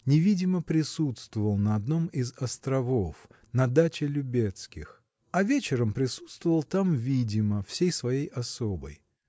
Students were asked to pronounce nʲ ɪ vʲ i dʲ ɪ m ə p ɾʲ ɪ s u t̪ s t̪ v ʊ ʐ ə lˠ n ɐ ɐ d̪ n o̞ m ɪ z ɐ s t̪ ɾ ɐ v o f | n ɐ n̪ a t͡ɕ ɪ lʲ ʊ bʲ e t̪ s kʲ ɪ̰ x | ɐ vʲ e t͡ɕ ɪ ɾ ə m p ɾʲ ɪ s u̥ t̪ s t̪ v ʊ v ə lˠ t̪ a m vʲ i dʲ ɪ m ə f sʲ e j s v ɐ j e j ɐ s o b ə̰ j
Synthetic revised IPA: nʲ ɪ vʲ i dʲ ɪ m ə p ɾʲ ɪ s u t̪ s t̪ v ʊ v ə lˠ n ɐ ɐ d̪ n o̞ m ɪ z ɐ s t̪ ɾ ɐ v o f | n ɐ d̪ a t͡ɕ ɪ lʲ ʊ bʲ e t̪ s kʲ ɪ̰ x | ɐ vʲ e t͡ɕ ɪ ɾ ə m p ɾʲ ɪ s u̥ t̪ s t̪ v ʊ v ə lˠ t̪ a m vʲ i dʲ ɪ m ə f sʲ e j s v ɐ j e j ɐ s o b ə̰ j